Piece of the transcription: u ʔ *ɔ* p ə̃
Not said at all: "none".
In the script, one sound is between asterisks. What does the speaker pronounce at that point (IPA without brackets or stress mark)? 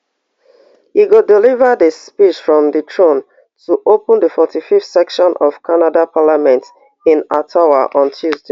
o